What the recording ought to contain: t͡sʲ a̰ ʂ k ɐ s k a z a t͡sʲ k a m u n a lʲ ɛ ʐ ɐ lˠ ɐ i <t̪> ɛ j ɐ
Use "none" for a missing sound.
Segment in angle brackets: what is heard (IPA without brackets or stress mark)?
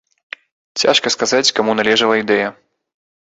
d̪